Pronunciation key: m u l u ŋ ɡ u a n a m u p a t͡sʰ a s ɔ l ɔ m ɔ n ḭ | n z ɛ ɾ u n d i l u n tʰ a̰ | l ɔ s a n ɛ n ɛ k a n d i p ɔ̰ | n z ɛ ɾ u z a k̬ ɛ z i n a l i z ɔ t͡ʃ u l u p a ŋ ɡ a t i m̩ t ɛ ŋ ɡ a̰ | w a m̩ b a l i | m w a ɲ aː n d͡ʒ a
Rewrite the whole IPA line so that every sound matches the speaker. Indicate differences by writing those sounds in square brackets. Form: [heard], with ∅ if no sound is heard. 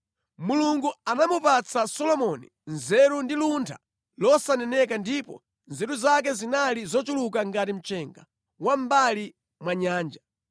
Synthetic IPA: m u l u ŋ ɡ u a n a m u p a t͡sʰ a s ɔ l ɔ m ɔ n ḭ | n z ɛ ɾ u n d i l u n tʰ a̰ | l ɔ s a n ɛ n ɛ k a n d i p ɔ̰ | n z ɛ ɾ u z a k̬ ɛ z i n a l i z ɔ t͡ʃ u l u [k] a ŋ ɡ a t i m̩ [t͡ʃ] ɛ ŋ ɡ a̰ | w a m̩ b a l i | m w a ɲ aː n d͡ʒ a